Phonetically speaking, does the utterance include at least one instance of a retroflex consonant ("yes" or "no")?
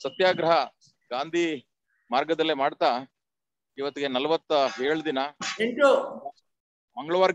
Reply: yes